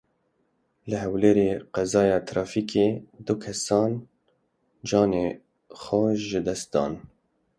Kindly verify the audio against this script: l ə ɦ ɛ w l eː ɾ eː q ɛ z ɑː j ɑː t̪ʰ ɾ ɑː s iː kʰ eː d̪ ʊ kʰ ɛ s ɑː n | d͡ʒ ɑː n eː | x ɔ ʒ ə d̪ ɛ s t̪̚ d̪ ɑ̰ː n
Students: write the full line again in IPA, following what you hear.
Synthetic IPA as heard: l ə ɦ ɛ w l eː ɾ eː q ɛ z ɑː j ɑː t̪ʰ ɾ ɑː f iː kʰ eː d̪ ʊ kʰ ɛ s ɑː n | d͡ʒ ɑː n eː | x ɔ ʒ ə d̪ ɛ s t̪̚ d̪ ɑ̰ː n